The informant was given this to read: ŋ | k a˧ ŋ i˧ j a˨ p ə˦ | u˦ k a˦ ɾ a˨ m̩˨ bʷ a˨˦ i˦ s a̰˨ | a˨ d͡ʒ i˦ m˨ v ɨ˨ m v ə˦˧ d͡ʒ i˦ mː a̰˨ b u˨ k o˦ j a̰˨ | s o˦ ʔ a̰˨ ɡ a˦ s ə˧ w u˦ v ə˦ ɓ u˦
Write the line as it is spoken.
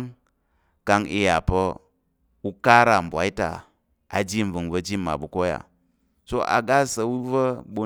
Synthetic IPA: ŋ | k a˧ ŋ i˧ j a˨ p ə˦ | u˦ k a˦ ɾ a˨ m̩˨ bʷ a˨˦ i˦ t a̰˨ | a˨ d͡ʒ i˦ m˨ v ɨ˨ ŋ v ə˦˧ d͡ʒ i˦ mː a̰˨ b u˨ k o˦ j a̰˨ | s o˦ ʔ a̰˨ ɡ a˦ s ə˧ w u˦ v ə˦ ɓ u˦